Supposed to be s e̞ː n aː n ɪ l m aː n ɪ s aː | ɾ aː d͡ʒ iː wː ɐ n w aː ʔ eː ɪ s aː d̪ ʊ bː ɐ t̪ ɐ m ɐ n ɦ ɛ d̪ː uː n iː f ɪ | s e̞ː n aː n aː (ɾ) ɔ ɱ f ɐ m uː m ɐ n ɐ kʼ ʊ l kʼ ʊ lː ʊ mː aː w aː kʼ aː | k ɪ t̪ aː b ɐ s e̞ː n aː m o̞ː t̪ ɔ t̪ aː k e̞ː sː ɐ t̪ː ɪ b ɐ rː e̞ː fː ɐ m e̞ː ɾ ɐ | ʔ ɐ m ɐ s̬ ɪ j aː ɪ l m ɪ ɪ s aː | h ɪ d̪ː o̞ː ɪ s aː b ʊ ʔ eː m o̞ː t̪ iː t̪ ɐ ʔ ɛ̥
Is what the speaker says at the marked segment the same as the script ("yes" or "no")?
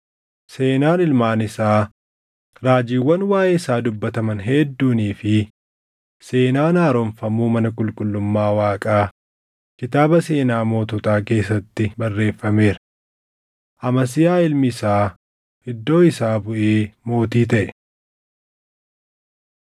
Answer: yes